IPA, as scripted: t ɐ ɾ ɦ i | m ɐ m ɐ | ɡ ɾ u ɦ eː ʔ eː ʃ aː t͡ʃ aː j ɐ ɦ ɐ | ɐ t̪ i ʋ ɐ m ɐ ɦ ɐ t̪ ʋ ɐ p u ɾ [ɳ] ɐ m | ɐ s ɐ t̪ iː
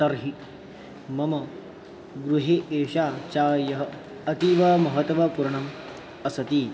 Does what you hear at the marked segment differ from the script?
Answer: no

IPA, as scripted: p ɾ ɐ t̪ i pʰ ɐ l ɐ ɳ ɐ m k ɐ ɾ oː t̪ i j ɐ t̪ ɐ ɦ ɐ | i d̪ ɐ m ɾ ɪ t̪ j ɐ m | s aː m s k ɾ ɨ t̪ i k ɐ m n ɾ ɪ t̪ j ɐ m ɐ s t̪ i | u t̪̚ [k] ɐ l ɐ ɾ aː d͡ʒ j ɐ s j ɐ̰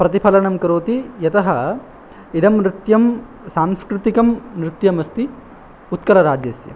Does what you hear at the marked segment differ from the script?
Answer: no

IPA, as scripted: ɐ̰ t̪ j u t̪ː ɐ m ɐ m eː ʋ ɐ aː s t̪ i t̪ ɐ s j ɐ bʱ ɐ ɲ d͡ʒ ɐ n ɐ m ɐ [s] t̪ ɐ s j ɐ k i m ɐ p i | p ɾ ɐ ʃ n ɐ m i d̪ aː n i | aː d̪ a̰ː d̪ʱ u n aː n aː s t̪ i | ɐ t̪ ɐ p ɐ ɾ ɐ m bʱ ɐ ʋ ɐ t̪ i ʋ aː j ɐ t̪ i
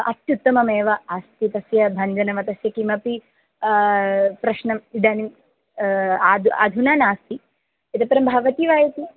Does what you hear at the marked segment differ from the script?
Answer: yes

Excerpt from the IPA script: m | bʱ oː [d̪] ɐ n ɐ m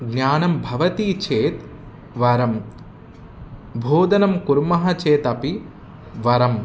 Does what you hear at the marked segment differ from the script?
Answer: no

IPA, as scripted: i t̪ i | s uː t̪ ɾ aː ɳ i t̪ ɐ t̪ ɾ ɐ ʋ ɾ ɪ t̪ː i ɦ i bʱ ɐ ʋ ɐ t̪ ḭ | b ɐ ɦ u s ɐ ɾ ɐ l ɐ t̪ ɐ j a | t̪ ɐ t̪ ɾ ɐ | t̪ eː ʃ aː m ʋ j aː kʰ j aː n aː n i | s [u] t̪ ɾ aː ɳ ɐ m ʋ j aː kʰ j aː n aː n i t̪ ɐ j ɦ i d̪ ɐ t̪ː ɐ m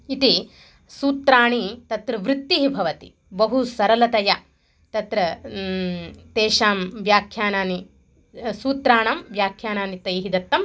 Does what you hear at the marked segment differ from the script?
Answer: yes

